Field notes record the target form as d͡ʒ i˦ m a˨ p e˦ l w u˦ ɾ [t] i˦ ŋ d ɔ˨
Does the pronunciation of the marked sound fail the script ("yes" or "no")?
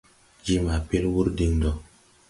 yes